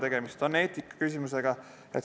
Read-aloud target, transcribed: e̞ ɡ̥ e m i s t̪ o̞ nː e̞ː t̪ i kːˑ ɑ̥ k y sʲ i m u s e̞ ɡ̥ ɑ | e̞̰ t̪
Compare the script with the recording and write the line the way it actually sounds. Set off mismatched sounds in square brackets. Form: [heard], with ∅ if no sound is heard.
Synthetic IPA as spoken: e̞ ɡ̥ e m i s t̪ o̞ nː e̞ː t̪ i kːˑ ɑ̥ k y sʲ i m u s e̞ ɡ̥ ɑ | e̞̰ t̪

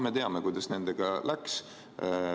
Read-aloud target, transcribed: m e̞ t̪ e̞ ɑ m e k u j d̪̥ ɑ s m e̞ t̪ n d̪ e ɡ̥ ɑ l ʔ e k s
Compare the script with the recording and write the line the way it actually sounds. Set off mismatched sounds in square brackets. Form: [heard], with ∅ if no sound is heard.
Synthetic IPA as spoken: m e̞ t̪ e̞ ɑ m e k u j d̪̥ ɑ s [n] e̞ [∅] n d̪ e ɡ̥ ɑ l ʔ [æ] k s

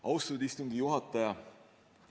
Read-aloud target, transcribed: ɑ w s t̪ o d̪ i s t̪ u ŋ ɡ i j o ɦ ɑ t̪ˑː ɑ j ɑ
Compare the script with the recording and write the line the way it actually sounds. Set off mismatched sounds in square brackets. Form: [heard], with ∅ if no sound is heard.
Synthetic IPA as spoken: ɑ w s t̪ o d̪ i s t̪ u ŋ ɡ i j [u] ɦ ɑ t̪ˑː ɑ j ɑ

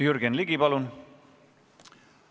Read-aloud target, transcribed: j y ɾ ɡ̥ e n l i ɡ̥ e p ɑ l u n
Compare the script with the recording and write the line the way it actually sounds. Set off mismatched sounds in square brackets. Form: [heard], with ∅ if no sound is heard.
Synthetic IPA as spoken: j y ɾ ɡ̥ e n l i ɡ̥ [i] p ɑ l u n

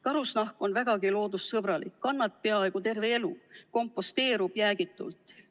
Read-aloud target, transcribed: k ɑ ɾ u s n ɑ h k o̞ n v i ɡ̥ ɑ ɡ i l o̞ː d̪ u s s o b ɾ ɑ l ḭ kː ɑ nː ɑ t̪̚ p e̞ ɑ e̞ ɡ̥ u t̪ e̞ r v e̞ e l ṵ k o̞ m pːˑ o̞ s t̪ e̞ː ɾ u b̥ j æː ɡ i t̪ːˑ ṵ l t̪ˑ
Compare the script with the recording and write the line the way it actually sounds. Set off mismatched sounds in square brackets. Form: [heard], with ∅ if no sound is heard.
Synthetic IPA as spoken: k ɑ ɾ u s n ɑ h k o̞ n v [æ] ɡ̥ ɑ ɡ i l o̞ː d̪ u s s [ɤ] b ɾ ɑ l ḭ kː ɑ nː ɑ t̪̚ p e̞ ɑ e̞ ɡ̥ u t̪ e̞ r v e̞ e l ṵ k o̞ m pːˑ o̞ s t̪ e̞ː ɾ u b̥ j æː ɡ i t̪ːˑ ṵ l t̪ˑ

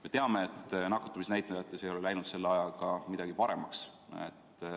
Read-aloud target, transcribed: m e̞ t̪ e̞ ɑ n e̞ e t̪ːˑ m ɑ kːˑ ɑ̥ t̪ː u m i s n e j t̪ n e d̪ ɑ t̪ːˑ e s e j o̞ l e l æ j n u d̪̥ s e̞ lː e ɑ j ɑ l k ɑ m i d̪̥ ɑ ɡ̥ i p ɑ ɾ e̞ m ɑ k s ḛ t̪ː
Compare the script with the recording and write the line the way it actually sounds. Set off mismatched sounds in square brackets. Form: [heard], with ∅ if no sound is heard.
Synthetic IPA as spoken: m e̞ t̪ e̞ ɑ [m] e̞ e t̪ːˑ [n] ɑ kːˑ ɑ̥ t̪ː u m i s n [æ] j t̪ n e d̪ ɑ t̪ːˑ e s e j o̞ l e l æ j n u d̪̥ s e̞ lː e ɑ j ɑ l k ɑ m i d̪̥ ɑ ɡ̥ i p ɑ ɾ e̞ m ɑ k s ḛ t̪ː

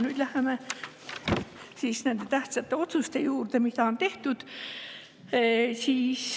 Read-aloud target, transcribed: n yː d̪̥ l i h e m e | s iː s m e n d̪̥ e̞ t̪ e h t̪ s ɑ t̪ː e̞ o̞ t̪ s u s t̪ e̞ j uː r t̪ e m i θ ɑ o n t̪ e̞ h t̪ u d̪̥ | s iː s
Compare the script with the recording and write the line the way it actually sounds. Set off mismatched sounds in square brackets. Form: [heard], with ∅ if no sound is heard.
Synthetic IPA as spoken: n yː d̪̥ l [æ] h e m e | s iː s [n] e n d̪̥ e̞ t̪ [æ] h t̪ s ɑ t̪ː e̞ o̞ t̪ s u s t̪ e̞ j uː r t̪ e m i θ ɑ o n t̪ e̞ h t̪ u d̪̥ | s iː s

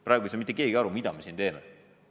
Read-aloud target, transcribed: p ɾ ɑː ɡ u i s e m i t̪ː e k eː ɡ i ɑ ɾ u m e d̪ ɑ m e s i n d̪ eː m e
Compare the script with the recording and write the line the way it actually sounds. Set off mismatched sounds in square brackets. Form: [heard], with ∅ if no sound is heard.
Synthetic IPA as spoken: p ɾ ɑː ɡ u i s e m i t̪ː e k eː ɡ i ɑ ɾ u m [i] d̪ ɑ m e s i n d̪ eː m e

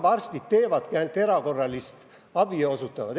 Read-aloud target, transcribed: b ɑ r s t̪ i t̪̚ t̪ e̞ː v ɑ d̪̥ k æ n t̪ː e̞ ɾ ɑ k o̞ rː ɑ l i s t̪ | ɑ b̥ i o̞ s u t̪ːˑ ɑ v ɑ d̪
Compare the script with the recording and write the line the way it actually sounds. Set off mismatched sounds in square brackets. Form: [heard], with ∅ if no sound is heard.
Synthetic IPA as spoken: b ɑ r s t̪ i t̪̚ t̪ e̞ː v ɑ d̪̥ k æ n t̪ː e̞ ɾ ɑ k o̞ rː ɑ l i s t̪ | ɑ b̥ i o̞ s u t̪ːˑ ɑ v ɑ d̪

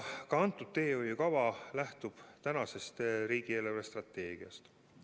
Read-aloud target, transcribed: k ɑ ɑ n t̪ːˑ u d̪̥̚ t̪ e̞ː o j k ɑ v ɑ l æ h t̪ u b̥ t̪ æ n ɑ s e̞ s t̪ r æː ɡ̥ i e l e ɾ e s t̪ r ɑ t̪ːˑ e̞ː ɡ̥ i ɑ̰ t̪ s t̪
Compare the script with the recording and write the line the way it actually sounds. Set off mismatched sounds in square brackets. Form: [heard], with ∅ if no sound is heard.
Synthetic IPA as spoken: k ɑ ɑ n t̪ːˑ u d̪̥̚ t̪ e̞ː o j k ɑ v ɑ l æ h t̪ u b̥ t̪ æ n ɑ s e̞ s t̪ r [iː] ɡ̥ i e l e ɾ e s t̪ r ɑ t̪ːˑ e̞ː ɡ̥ i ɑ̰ [∅] s t̪

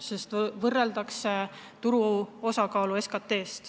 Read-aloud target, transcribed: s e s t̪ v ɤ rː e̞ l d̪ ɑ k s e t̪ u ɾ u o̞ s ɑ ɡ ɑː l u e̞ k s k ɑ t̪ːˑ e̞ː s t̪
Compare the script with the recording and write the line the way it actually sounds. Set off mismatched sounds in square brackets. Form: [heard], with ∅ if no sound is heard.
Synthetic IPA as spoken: s e s t̪ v ɤ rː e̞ l d̪ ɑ k s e t̪ u ɾ u o̞ s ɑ [k] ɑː l u e̞ [∅] s k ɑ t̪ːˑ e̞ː s t̪

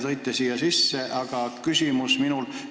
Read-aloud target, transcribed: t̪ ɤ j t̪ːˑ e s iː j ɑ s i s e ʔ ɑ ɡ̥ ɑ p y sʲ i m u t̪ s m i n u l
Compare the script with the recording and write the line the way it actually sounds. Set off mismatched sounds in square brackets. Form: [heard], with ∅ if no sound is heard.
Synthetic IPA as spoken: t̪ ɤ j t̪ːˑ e s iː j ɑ s i [sː] e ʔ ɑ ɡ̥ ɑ [k] y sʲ i m u [∅] s m i n u l

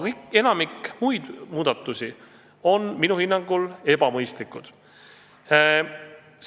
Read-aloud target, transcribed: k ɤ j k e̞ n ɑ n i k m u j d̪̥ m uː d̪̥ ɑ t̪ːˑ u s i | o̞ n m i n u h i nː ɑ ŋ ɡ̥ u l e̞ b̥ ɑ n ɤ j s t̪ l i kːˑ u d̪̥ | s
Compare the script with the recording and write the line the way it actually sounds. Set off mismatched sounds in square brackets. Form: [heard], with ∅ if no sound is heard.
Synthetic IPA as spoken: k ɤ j k e̞ n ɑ [m] i k m u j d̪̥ m uː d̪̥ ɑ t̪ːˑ u s i | o̞ n m i n u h i nː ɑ ŋ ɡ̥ u l e̞ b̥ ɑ [m] ɤ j s t̪ l i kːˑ u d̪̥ | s

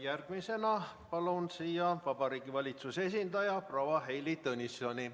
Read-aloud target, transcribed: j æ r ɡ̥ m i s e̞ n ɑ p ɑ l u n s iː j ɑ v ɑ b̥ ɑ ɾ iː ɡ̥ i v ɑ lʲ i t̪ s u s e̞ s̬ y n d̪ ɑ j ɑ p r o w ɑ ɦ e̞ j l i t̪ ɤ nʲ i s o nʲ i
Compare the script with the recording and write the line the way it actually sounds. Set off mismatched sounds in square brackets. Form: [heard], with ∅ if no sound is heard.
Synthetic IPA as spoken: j æ r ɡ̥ m i s e̞ n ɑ p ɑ l u n s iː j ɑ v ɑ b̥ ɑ ɾ iː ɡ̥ i v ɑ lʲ i t̪ s u s e̞ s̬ [i] n d̪ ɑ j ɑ p r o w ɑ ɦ e̞ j l i t̪ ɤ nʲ i s o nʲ i

